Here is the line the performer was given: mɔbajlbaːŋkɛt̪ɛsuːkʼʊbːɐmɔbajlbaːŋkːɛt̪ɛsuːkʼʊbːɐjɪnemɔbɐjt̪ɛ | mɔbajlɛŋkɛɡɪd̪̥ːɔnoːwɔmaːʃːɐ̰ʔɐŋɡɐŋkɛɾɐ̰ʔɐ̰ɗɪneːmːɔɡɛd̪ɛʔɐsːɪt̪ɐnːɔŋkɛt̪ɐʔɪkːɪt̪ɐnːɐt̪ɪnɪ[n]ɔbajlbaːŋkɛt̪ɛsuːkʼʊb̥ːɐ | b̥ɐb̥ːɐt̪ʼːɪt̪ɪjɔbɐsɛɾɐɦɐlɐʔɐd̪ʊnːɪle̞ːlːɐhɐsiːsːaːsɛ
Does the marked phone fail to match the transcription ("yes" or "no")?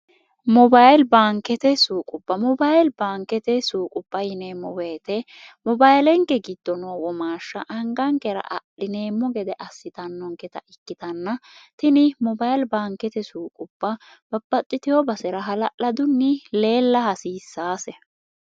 yes